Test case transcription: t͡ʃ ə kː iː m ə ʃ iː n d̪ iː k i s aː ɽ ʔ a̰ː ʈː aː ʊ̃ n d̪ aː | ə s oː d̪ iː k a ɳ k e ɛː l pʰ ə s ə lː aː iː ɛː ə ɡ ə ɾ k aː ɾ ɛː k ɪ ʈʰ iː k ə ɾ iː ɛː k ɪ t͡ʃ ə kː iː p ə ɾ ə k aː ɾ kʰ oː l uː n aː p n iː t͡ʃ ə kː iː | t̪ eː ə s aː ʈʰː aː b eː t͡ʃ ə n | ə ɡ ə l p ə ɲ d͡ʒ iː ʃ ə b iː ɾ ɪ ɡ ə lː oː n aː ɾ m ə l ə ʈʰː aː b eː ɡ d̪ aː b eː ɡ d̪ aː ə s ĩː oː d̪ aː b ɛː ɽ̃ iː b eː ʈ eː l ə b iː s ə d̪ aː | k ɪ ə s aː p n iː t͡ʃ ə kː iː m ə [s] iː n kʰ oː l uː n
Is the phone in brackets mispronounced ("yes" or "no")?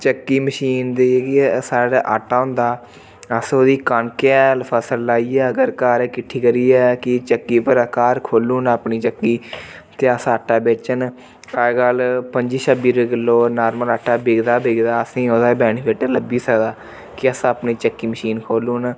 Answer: yes